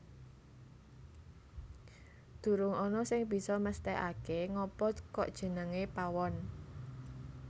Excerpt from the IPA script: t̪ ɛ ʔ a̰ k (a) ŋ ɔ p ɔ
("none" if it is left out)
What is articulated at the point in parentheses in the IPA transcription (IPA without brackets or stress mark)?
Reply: e